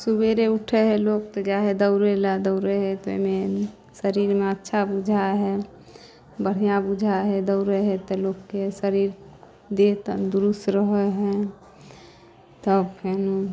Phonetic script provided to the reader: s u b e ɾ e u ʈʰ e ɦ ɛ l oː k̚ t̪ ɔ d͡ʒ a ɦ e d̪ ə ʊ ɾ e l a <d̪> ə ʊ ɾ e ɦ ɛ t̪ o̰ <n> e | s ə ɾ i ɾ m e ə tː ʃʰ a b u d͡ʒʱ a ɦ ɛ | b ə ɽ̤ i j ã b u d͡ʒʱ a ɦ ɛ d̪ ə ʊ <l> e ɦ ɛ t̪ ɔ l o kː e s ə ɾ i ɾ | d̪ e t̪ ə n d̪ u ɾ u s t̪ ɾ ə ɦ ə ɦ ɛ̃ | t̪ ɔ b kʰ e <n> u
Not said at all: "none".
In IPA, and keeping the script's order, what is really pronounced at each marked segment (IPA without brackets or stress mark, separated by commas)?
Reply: d̪, m, ɾ, n